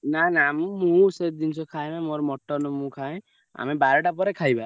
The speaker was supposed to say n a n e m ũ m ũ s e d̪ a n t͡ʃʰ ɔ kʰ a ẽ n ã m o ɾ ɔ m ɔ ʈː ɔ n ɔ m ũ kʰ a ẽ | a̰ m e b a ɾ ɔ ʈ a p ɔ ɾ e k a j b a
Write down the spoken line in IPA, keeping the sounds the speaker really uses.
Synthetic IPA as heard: n a n a m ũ m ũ s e d̪ i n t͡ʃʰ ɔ kʰ a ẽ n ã m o ɾ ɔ m ɔ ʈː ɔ n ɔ m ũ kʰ a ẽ | a̰ m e b a ɾ ɔ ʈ a p ɔ ɾ e kʰ a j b a